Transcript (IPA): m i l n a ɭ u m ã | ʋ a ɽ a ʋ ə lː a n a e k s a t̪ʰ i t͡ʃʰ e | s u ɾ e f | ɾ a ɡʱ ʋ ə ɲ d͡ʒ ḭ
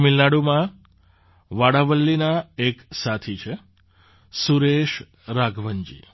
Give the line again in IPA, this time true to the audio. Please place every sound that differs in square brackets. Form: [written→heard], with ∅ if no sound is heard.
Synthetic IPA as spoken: m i l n a [ɭ→ɽ] u m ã | ʋ a ɽ a ʋ ə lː [a→i] n a e k s a t̪ʰ i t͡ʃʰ e | s u ɾ e [f→ʃ] | ɾ a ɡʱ ʋ ə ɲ d͡ʒ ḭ